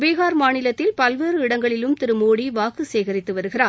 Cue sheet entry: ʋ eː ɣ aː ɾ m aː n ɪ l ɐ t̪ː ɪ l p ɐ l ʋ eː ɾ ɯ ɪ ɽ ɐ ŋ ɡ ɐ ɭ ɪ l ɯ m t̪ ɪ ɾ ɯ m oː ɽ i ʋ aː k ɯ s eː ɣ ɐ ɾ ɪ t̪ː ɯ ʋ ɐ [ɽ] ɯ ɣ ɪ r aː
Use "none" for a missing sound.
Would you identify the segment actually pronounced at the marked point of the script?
ɾ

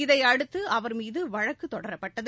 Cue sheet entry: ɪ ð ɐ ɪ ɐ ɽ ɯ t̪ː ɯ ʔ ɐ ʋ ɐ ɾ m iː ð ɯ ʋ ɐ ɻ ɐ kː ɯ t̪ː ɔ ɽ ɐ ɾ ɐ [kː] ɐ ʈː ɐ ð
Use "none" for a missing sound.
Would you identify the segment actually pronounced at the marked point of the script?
pː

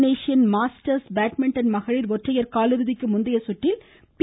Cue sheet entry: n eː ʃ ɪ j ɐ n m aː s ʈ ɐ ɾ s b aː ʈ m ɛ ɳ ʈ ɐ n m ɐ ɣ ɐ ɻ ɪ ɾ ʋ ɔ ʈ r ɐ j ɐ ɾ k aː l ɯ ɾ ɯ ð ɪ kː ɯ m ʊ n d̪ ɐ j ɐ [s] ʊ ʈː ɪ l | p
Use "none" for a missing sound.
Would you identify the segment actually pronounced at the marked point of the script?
s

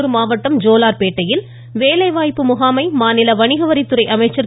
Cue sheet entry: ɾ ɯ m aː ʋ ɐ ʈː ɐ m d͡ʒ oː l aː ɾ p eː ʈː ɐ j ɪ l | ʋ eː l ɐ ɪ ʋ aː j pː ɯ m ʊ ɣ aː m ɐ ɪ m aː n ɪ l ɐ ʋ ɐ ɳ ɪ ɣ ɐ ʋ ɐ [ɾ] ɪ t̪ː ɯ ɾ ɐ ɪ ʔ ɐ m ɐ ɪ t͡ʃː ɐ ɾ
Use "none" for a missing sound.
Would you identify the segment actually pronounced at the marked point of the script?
ɾ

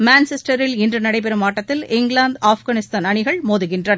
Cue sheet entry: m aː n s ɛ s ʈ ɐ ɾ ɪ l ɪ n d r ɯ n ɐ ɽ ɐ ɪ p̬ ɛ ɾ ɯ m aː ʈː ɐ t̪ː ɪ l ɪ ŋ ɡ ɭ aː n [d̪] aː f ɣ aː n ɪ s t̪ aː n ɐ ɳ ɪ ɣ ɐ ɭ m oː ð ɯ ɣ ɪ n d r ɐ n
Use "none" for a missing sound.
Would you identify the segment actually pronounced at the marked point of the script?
d̪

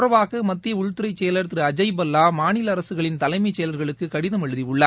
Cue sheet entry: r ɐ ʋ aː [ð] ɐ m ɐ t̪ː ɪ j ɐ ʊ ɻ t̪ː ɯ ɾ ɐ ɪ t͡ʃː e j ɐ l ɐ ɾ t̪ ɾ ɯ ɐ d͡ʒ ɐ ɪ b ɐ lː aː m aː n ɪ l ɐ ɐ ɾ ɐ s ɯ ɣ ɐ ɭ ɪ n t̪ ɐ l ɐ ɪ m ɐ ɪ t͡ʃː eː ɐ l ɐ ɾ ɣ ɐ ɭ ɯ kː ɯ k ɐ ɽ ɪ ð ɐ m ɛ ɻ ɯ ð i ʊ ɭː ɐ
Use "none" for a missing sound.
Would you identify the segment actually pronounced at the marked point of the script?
ɣ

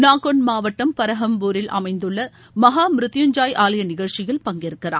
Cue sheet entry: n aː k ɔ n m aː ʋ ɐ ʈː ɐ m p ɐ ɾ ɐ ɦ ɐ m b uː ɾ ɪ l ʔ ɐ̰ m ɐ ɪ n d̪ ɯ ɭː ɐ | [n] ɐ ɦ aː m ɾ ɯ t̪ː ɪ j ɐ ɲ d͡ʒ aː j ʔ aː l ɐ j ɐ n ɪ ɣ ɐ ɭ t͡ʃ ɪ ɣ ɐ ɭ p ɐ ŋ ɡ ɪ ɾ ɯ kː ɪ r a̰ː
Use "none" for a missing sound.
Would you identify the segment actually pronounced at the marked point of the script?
m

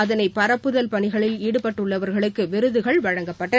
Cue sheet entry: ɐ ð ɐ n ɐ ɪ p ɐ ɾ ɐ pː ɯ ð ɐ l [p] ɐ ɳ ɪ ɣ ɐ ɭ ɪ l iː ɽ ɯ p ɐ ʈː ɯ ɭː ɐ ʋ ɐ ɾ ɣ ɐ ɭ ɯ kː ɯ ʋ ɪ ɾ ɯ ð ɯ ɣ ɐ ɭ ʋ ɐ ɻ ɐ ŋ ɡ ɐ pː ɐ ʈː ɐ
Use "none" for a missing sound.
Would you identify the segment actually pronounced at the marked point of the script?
p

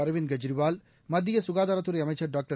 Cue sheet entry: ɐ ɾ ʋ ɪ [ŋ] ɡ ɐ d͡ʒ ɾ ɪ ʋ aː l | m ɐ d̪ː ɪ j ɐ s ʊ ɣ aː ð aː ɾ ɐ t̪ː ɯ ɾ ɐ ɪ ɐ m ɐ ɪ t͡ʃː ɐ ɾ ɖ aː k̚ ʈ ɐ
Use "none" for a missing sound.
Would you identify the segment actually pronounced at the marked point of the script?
n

